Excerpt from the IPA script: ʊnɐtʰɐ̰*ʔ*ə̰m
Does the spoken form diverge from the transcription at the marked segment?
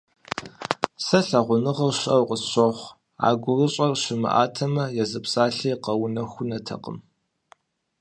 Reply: yes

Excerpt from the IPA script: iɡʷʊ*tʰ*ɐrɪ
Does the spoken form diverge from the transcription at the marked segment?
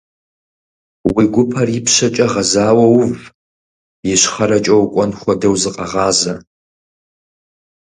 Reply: yes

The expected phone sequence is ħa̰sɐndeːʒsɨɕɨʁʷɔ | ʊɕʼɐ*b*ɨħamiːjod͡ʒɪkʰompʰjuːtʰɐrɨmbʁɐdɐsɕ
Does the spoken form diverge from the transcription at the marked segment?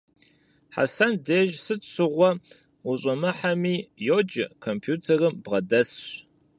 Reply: yes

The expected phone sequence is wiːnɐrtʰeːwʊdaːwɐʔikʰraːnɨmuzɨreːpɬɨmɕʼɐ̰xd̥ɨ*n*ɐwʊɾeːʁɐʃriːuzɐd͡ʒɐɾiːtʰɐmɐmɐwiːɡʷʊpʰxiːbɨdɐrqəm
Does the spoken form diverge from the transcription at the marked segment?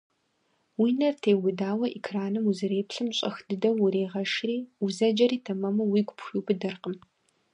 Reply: yes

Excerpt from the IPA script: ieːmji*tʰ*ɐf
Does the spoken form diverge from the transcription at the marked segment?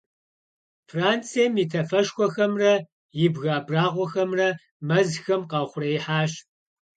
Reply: no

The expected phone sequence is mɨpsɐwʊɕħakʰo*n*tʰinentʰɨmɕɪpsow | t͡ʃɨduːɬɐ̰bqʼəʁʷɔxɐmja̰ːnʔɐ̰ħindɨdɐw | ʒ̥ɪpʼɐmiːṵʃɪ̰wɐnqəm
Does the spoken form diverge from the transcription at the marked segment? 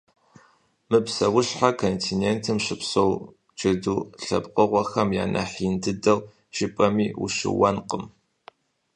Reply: no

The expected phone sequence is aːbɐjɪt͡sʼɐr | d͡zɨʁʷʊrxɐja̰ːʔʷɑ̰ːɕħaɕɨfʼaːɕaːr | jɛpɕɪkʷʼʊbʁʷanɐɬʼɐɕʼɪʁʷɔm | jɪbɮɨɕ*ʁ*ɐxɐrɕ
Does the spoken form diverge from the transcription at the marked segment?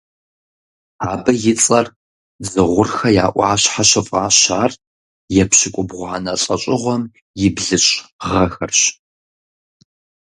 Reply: no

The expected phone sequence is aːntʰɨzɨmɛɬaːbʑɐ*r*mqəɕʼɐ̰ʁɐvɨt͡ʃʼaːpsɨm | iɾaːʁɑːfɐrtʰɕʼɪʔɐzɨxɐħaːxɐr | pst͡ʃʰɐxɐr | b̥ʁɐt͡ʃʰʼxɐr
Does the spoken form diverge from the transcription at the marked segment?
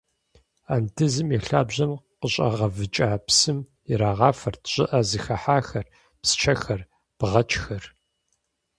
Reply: yes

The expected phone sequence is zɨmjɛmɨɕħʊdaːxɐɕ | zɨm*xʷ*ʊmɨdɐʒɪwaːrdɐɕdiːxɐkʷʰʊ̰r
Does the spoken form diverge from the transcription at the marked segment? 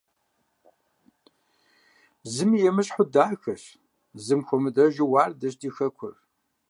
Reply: no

